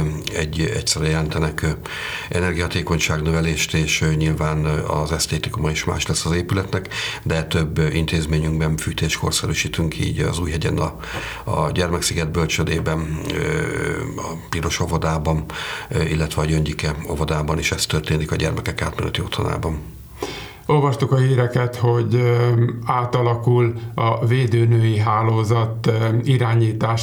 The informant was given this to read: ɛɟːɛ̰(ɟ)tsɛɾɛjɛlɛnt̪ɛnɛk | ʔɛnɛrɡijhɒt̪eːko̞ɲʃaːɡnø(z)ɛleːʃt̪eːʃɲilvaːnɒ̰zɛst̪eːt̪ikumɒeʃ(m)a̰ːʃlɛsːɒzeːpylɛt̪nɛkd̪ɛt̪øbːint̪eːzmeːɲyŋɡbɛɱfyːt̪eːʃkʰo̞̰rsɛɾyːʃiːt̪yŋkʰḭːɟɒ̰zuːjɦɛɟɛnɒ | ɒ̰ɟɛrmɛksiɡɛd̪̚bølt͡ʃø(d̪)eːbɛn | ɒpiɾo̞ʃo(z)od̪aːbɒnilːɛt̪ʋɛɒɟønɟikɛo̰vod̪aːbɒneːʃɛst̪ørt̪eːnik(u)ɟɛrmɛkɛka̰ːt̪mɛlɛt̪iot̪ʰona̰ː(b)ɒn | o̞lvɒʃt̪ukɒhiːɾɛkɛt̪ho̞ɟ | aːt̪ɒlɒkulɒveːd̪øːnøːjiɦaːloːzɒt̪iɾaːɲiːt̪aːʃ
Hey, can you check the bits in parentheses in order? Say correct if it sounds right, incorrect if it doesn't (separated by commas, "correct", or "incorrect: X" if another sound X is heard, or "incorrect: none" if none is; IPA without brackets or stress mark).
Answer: incorrect: c, incorrect: v, correct, correct, incorrect: v, incorrect: ɒ, correct